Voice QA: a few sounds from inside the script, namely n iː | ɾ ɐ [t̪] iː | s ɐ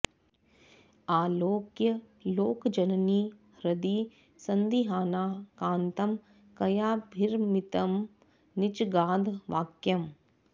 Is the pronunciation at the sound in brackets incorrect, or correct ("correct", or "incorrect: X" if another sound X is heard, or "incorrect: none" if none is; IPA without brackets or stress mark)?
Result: incorrect: d̪